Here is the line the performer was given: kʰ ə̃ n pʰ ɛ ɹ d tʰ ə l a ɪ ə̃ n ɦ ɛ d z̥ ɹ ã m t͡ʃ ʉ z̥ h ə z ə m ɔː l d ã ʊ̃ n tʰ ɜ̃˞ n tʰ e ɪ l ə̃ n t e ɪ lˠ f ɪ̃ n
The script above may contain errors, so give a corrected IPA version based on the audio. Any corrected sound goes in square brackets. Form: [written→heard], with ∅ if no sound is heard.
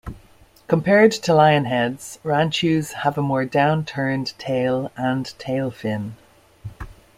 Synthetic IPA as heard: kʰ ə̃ [n→m] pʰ ɛ ɹ d tʰ ə l a ɪ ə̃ n ɦ ɛ d z̥ ɹ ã [m→n] t͡ʃ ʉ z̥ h ə [z→v] ə m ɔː [l→ɹ] d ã ʊ̃ n tʰ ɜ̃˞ n tʰ e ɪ l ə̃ n [t→tʰ] e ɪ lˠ f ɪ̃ n

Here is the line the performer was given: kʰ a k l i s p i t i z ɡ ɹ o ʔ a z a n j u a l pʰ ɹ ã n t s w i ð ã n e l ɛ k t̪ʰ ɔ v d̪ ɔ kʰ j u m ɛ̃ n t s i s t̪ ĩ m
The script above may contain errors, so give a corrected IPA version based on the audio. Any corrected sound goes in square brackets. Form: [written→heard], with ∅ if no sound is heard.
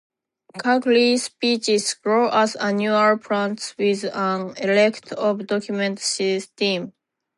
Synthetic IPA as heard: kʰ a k l i s p i [t→t͡ʃ] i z ɡ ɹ o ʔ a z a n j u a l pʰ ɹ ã n t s w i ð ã n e l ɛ k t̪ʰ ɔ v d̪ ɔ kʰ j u m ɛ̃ n t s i s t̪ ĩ m

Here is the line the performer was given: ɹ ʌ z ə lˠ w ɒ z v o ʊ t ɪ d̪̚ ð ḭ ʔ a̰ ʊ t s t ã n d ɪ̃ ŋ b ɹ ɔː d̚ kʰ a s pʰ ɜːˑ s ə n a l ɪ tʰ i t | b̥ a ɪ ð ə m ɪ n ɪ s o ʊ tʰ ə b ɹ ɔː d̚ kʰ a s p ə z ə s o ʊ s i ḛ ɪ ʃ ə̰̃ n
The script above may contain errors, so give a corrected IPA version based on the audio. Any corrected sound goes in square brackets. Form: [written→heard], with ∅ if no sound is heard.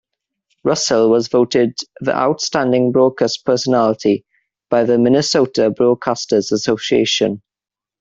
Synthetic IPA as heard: ɹ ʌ [z→s] ə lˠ w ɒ z v o ʊ t ɪ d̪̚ ð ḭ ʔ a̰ ʊ t s t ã n d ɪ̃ ŋ b ɹ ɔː d̚ kʰ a s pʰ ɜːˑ s ə n a l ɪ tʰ i [t→∅] | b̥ a ɪ ð ə m ɪ n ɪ s o ʊ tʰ ə b ɹ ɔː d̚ kʰ a s [p→t] ə z ə s o ʊ s i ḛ ɪ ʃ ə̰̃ n

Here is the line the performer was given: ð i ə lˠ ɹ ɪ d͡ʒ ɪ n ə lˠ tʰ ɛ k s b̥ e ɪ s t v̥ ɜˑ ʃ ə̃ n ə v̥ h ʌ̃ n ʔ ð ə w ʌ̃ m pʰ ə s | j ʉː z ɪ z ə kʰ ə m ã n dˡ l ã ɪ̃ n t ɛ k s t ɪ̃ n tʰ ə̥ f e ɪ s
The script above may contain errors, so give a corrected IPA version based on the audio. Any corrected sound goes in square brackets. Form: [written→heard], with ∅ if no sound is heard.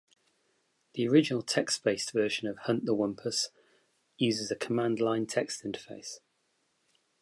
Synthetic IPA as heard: ð i ə [lˠ→∅] ɹ ɪ d͡ʒ ɪ n ə lˠ tʰ ɛ k s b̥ e ɪ s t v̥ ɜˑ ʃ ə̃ n ə v̥ h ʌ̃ n ʔ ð ə w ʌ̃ m pʰ ə s | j ʉː z ɪ z ə kʰ ə m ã n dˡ l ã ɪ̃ n [t→tʰ] ɛ k s t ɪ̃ n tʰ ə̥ f e ɪ s

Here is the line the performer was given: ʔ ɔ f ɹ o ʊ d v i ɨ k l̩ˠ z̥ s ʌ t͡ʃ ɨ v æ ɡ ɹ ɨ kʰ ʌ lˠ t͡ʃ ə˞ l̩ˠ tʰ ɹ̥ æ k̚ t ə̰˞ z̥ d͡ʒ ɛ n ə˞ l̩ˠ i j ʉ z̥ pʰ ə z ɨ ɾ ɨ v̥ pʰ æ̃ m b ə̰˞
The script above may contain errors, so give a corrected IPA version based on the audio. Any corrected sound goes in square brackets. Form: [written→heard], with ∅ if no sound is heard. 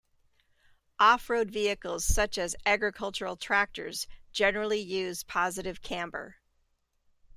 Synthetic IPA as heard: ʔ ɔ f ɹ o ʊ d v i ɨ k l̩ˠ z̥ s ʌ t͡ʃ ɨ [v→z] æ ɡ ɹ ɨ kʰ ʌ lˠ t͡ʃ ə˞ l̩ˠ tʰ ɹ̥ æ k̚ t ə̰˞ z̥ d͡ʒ ɛ n ə˞ l̩ˠ i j ʉ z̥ pʰ [ə→ɑ] z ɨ ɾ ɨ v̥ [pʰ→kʰ] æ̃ m b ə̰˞

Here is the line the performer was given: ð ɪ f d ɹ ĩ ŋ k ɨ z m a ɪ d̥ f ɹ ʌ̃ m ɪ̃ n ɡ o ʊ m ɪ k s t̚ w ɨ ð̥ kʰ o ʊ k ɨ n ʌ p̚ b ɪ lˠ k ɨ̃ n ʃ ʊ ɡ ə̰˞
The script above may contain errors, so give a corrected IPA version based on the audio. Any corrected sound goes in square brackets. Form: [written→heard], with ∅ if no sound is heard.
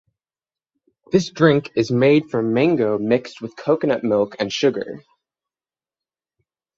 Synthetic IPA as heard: ð ɪ [f→s] d ɹ [ĩ→ɪ̃] ŋ k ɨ z m [a→e] ɪ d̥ f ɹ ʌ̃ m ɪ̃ [n→ŋ] ɡ o ʊ m ɪ k s t̚ w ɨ ð̥ kʰ o ʊ k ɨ n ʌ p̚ [b→m] ɪ lˠ k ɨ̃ n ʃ ʊ ɡ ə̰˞

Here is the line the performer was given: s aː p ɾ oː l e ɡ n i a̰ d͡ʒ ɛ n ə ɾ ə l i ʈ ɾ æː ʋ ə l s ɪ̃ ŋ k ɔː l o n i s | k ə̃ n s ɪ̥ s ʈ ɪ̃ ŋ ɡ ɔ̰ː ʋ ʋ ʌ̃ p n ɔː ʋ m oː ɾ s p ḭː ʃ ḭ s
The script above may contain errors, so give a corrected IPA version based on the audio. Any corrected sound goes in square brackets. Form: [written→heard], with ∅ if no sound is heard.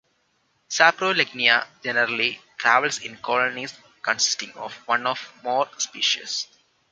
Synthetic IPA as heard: s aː p ɾ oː l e ɡ n i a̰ d͡ʒ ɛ n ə ɾ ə l i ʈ ɾ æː ʋ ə l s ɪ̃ [ŋ→n] k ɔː l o n i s | k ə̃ n s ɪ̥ s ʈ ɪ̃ ŋ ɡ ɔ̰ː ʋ ʋ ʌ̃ [p→∅] n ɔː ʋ m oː ɾ s p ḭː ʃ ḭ s

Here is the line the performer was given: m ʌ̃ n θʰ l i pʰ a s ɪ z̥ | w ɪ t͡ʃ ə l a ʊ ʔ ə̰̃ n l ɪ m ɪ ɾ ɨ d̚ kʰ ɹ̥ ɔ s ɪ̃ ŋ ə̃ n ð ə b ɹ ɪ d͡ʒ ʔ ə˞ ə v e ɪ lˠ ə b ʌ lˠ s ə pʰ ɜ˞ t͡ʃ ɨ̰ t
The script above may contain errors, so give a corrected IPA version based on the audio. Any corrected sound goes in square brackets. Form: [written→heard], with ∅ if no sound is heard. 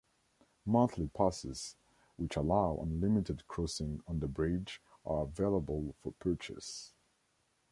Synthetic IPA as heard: m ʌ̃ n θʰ l i pʰ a s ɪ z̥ | w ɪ t͡ʃ ə l a ʊ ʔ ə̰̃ n l ɪ m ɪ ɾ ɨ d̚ kʰ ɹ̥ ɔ s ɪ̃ ŋ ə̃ n ð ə b ɹ ɪ d͡ʒ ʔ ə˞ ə v e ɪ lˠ ə b [ʌ→ə] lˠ [s→f] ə pʰ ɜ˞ t͡ʃ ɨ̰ [t→s]

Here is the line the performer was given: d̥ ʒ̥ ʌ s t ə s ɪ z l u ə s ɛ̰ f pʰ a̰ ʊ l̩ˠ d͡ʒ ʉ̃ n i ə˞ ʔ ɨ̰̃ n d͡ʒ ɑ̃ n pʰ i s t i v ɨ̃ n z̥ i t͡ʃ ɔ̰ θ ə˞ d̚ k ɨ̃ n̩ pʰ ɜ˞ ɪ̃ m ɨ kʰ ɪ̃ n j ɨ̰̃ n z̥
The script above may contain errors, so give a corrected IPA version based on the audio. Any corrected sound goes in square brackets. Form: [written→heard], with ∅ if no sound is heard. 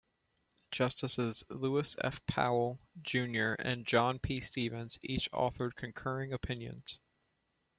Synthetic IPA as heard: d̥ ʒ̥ ʌ s t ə s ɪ z l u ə s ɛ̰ f pʰ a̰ ʊ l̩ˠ d͡ʒ ʉ̃ n [i→j] ə˞ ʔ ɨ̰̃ n d͡ʒ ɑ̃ n pʰ i s t i v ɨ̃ n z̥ i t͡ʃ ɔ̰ θ ə˞ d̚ [k→kʰ] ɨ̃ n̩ [pʰ→kʰ] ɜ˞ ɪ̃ [m→ŋ] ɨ [kʰ→pʰ] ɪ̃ n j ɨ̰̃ n z̥

